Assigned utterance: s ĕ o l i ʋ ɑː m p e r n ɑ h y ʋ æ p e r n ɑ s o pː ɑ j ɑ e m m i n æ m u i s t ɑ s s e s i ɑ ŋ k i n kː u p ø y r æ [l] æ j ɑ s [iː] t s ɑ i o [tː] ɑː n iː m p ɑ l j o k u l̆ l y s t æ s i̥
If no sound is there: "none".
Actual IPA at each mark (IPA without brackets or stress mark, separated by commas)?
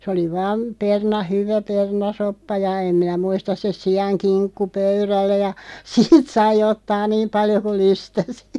lː, iː, tː